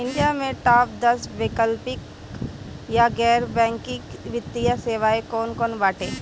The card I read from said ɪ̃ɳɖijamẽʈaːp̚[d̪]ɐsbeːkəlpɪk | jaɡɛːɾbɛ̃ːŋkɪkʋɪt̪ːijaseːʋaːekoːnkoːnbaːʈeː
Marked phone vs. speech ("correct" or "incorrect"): correct